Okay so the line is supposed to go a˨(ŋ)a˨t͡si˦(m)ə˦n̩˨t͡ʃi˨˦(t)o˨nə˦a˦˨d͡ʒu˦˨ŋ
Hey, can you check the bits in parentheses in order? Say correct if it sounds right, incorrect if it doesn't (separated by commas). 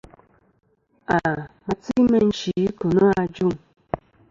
incorrect, correct, incorrect